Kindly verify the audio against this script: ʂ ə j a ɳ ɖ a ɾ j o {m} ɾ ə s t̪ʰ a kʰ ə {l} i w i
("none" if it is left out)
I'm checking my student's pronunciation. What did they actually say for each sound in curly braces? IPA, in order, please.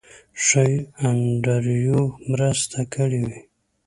m, ɽ

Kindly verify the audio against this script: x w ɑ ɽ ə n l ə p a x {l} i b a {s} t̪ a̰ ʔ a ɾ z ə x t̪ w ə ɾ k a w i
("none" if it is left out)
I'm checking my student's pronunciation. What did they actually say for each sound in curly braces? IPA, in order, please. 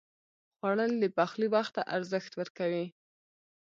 l, x

